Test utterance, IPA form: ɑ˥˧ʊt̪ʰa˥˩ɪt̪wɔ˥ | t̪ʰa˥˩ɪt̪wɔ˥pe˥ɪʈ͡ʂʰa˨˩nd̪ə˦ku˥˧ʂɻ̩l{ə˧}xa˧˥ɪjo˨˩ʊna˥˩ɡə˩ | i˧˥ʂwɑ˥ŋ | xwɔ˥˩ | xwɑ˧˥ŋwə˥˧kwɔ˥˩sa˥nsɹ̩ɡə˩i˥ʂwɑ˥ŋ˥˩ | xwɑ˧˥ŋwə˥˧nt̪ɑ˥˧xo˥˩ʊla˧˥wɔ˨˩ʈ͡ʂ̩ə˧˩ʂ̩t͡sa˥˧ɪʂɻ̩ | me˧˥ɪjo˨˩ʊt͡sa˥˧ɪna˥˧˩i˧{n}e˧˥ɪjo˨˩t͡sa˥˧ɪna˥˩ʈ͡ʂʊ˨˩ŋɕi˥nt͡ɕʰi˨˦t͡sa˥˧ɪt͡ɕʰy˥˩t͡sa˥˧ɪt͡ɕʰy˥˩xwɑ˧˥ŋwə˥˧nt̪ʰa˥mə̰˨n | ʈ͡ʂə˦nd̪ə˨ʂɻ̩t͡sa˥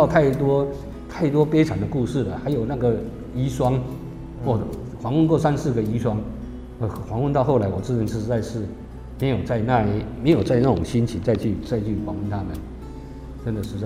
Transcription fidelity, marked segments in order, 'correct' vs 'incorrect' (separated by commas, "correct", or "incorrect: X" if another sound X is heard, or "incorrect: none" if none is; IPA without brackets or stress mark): incorrect: ə˩, incorrect: m